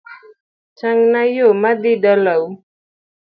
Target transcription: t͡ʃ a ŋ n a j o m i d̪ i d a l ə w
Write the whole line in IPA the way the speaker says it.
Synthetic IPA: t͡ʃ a ŋ n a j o m a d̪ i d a l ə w